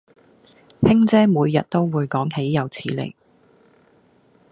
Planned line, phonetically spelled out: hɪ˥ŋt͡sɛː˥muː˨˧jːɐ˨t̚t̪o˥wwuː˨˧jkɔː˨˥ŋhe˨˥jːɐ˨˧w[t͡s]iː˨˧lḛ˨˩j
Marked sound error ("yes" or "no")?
yes